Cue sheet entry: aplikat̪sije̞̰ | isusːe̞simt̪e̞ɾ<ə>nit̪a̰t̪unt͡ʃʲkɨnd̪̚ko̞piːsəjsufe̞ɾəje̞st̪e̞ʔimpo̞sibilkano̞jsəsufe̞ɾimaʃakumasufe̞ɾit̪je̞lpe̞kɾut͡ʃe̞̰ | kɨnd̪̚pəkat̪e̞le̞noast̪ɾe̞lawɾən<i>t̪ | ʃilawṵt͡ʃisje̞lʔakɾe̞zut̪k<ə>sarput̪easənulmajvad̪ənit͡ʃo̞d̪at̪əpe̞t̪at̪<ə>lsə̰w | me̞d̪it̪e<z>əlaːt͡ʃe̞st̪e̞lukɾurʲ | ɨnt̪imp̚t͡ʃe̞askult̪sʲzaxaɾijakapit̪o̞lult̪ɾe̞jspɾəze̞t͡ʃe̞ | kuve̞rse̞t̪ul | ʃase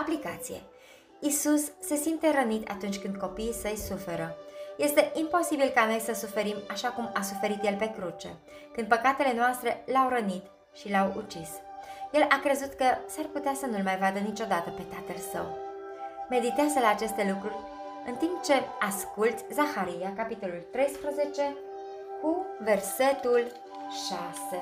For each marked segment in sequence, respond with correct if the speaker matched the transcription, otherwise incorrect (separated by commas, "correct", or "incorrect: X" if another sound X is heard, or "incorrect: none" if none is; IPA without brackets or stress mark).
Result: correct, correct, correct, correct, correct